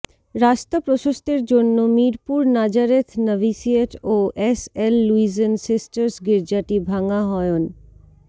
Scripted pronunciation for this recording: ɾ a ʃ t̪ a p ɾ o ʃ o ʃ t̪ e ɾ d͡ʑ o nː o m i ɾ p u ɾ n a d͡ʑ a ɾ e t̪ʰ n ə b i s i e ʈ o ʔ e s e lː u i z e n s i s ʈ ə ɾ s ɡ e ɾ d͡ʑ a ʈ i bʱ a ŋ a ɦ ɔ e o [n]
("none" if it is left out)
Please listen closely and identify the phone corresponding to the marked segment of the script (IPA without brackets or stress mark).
n